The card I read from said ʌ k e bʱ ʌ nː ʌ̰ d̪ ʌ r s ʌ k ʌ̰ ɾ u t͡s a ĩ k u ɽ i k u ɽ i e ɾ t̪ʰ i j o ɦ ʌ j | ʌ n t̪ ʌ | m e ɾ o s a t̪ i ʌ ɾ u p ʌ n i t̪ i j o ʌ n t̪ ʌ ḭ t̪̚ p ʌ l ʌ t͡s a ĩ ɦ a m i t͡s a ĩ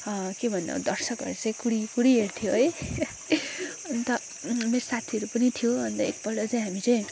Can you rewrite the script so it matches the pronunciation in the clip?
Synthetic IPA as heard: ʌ k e bʱ ʌ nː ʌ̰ d̪ ʌ r s ʌ k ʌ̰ ɾ u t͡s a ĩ k u ɽ i k u ɽ i e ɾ t̪ʰ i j o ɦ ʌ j | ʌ n t̪ ʌ | m e ɾ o s a t̪ʰ i ʌ ɾ u p ʌ n i t̪ʰ i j o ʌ n t̪ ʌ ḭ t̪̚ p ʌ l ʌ t͡s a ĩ ɦ a m i t͡s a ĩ